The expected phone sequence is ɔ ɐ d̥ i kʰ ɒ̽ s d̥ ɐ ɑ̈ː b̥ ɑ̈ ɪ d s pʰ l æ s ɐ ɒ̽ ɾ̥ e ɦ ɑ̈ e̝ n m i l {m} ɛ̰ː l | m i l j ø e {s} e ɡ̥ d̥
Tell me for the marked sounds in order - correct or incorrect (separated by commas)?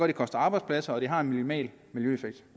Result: correct, incorrect